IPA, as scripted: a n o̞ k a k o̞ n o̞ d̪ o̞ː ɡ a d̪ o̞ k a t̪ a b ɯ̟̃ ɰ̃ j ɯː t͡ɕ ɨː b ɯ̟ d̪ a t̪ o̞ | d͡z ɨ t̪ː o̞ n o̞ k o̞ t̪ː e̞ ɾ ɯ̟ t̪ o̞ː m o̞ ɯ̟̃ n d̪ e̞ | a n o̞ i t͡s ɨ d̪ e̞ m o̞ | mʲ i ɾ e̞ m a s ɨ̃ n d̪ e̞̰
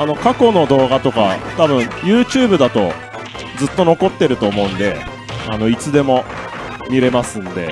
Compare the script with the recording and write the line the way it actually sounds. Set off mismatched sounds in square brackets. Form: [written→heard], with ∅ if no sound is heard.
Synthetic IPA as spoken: a n o̞ k a k o̞ n o̞ d̪ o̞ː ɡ a [d̪→t̪] o̞ k a t̪ a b ɯ̟̃ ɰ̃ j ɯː t͡ɕ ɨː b ɯ̟ d̪ a t̪ o̞ | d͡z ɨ t̪ː o̞ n o̞ k o̞ t̪ː e̞ ɾ ɯ̟ t̪ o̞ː m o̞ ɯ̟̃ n d̪ e̞ | a n o̞ i t͡s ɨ d̪ e̞ m o̞ | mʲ i ɾ e̞ m a s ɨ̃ n d̪ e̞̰